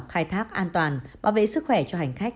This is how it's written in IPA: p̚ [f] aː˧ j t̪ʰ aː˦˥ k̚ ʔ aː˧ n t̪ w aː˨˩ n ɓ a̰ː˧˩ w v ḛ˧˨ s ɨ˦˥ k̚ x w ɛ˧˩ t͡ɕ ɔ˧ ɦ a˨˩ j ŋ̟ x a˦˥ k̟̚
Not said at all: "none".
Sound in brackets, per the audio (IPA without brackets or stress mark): x